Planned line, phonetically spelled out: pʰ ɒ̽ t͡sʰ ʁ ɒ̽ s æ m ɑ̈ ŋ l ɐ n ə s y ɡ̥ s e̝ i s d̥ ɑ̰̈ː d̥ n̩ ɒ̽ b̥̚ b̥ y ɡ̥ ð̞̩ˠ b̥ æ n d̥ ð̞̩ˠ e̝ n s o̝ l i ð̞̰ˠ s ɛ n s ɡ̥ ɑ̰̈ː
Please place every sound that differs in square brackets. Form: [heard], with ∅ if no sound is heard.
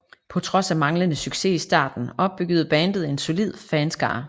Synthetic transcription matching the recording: pʰ ɒ̽ t͡sʰ ʁ ɒ̽ s æ m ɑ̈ ŋ l [ə] n ə s y ɡ̥ s e̝ i s d̥ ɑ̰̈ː d̥ n̩ ɒ̽ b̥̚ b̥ y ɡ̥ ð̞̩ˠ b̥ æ n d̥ ð̞̩ˠ e̝ n s o̝ l i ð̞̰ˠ [f] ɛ n s ɡ̥ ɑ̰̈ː

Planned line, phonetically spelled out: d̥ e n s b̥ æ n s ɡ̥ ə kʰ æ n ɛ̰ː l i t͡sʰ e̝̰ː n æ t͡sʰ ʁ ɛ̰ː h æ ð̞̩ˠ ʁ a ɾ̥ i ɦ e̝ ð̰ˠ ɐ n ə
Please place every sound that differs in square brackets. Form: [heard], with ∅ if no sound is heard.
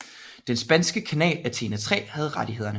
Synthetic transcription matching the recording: d̥ e n s b̥ æ n s ɡ̥ ə kʰ æ n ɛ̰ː l [æ] t͡sʰ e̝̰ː n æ t͡sʰ ʁ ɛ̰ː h æ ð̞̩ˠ ʁ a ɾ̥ i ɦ e̝ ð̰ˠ ɐ n ə

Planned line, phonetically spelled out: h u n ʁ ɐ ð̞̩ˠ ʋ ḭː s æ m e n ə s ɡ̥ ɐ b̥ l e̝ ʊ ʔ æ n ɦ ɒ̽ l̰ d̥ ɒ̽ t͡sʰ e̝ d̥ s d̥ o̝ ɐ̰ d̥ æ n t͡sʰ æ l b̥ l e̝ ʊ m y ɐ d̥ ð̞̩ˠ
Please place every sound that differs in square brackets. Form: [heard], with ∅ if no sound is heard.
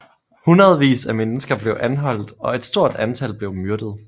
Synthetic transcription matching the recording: h u n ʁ ɐ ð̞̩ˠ ʋ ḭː s æ m e n ə s ɡ̥ ɐ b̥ l e̝ ʊ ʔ æ n ɦ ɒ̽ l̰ d̥ ɒ̽ [∅] e̝ d̥ s d̥ o̝ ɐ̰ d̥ æ n t͡sʰ æ l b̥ l e̝ ʊ m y ɐ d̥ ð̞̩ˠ

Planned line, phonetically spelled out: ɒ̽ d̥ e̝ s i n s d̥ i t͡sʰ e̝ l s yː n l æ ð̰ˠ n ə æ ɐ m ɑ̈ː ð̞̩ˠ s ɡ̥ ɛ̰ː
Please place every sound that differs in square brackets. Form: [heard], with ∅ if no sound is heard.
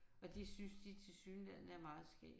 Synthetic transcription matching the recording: ɒ̽ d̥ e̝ s [y] n s d̥ i t͡sʰ e̝ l s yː n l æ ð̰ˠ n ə æ ɐ m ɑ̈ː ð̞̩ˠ s ɡ̥ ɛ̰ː

